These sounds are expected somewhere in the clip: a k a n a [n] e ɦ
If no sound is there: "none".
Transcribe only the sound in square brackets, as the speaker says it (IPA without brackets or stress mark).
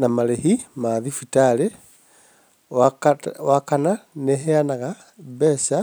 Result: n